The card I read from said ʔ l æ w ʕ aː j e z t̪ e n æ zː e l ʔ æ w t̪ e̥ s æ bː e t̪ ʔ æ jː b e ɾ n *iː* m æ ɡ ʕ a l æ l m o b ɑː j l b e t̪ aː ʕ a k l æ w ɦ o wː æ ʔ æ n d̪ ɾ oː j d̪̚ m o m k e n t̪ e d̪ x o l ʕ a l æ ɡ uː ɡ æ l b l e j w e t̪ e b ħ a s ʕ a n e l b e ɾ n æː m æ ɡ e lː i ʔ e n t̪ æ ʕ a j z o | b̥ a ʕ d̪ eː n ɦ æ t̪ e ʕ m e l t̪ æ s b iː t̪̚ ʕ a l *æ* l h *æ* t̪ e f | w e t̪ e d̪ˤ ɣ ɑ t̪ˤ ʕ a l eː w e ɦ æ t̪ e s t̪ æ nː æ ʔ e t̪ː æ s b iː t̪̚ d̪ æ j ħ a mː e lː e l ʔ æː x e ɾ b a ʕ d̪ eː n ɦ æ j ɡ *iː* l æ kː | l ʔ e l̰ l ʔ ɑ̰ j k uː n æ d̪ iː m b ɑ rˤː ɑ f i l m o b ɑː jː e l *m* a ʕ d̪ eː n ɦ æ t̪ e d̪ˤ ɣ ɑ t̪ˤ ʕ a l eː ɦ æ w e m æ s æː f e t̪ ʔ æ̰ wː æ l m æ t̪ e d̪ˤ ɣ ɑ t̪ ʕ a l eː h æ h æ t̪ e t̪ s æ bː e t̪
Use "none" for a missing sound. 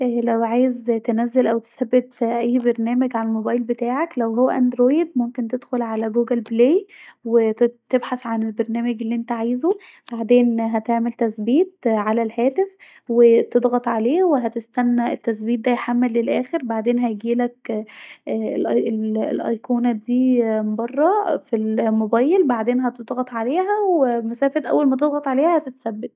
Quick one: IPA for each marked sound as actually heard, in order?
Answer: æː, æ, æː, iː, b

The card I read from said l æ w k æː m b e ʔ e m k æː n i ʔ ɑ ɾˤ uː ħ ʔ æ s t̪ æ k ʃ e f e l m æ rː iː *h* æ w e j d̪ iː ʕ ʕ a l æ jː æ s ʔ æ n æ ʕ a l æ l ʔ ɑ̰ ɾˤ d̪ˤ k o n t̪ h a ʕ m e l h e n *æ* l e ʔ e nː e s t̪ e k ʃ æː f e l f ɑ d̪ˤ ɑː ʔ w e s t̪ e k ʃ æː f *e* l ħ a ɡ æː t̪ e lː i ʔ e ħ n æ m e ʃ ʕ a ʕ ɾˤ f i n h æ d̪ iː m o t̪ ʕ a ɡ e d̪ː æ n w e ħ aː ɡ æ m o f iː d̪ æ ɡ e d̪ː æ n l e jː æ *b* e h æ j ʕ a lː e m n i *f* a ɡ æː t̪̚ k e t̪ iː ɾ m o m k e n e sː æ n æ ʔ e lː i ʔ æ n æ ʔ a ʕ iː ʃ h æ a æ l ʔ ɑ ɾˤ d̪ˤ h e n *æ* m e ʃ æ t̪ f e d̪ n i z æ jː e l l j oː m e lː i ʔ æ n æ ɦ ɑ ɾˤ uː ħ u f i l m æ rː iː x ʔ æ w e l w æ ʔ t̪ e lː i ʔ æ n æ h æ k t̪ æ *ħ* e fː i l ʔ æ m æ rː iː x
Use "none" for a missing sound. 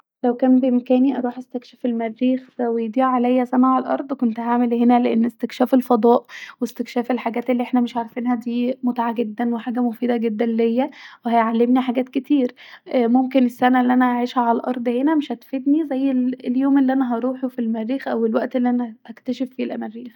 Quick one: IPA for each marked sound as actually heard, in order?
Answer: x, æ, e, w, ħ, æ, ʃ

